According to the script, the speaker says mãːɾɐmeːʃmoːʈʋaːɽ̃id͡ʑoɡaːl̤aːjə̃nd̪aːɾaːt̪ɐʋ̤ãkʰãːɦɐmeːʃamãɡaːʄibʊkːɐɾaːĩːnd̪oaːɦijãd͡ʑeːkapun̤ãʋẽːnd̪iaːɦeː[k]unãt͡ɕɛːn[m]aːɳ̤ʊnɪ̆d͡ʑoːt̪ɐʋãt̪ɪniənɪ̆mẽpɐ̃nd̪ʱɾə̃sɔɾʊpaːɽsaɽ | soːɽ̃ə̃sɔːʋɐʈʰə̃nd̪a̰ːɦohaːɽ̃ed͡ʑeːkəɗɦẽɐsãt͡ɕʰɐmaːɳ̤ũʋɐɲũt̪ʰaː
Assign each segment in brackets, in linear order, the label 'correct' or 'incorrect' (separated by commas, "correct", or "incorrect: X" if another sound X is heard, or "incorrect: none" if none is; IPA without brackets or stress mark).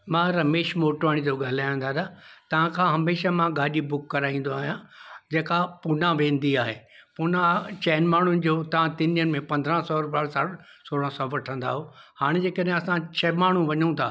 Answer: incorrect: p, correct